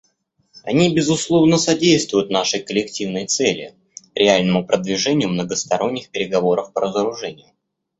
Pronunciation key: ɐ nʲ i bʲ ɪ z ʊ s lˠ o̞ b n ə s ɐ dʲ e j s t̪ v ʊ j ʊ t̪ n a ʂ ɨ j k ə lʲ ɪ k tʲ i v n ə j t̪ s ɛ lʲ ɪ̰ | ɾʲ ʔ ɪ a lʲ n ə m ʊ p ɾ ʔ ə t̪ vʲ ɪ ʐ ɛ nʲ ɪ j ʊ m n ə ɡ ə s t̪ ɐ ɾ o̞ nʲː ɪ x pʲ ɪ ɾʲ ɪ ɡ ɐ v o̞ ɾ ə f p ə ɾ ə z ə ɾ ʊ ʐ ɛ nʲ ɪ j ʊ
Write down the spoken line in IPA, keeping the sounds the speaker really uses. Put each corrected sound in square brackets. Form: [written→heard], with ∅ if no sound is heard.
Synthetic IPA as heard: ɐ nʲ i bʲ ɪ z ʊ s lˠ o̞ [b→v] n ə s ɐ dʲ e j s t̪ v ʊ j ʊ t̪ n a ʂ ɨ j k ə lʲ ɪ k tʲ i v n ə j t̪ s ɛ lʲ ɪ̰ | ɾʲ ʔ ɪ a lʲ n ə m ʊ p ɾ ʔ ə [t̪→d̪] vʲ ɪ ʐ ɛ nʲ ɪ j ʊ m n ə ɡ ə s t̪ ɐ ɾ o̞ nʲː ɪ x pʲ ɪ ɾʲ ɪ ɡ ɐ v o̞ ɾ ə f p ə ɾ ə z ə ɾ ʊ ʐ ɛ nʲ ɪ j ʊ